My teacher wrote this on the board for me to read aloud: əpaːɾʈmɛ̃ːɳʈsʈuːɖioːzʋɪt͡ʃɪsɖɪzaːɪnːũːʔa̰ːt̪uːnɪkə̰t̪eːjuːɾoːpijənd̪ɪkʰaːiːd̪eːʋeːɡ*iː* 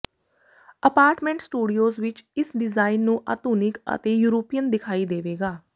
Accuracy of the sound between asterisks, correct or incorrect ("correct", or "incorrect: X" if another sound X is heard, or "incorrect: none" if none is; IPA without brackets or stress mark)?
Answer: incorrect: aː